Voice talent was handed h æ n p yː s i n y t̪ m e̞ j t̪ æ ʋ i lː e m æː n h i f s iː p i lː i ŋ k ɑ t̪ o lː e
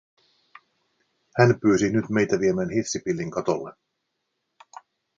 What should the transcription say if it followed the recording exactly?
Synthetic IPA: h æ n p yː s i n y t̪ m e̞ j t̪ æ ʋ i e m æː n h i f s i p i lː i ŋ k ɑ t̪ o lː e